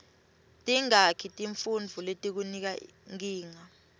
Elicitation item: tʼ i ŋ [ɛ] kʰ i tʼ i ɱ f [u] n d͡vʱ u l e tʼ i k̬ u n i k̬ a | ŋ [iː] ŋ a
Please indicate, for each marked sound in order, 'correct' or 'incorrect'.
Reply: incorrect: a, correct, correct

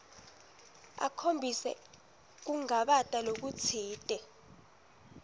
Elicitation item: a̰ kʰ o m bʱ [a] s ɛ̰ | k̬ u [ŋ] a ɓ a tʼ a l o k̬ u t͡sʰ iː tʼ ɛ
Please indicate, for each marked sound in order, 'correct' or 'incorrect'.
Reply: incorrect: i, correct

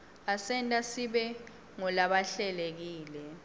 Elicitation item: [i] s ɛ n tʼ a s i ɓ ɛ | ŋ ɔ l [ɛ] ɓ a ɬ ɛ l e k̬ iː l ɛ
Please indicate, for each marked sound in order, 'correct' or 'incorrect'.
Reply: incorrect: a, incorrect: a

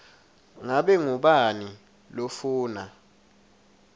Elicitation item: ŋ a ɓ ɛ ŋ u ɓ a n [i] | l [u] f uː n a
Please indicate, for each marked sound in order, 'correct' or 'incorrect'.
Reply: correct, incorrect: o

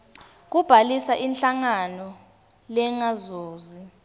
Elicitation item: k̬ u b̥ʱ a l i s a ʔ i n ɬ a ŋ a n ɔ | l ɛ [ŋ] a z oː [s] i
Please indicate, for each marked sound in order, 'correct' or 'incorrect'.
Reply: correct, incorrect: z

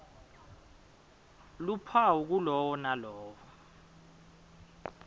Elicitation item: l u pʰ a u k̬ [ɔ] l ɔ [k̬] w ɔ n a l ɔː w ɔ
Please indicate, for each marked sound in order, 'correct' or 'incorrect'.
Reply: incorrect: u, incorrect: none

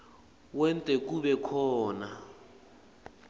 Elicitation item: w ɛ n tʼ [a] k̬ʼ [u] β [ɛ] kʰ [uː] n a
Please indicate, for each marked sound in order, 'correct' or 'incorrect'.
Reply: incorrect: ɛ, correct, correct, incorrect: ɔː

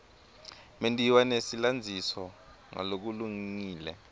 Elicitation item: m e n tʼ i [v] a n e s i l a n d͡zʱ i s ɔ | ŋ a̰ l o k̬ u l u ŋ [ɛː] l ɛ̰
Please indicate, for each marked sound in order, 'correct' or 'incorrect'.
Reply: incorrect: w, incorrect: iː

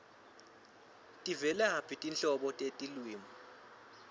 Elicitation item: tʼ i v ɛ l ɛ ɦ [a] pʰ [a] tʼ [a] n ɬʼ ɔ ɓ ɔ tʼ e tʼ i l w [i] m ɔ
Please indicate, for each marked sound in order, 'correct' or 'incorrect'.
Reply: correct, incorrect: i, incorrect: i, incorrect: iː

